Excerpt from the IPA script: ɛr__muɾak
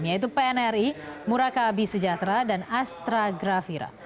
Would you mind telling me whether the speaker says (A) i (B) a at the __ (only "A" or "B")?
A